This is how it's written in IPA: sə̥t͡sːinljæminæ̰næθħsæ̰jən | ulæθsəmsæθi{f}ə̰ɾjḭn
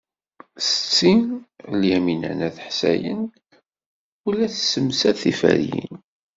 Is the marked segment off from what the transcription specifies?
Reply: no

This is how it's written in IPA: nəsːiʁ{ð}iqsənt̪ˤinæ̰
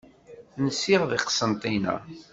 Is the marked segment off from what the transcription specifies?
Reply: no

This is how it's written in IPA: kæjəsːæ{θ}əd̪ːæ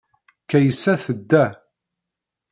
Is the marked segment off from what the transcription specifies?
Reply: no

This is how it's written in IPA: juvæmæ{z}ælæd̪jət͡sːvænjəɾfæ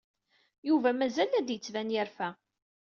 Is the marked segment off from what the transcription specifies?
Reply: no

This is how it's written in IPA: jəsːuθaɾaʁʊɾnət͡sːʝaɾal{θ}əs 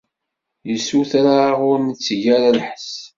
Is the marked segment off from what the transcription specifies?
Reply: yes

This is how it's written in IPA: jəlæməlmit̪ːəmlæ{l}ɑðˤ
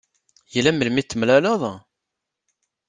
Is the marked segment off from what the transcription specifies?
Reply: no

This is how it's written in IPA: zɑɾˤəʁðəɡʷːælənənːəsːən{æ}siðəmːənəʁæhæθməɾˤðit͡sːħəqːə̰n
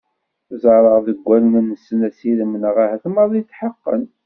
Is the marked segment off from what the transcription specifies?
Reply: no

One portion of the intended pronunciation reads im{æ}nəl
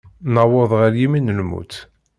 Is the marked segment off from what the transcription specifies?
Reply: yes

